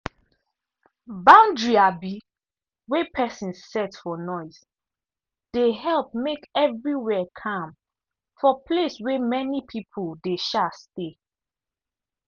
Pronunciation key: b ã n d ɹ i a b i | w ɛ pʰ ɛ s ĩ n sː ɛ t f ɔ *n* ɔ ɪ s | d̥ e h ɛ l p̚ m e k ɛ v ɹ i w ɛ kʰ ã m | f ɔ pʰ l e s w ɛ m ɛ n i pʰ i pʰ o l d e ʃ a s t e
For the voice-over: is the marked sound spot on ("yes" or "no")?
yes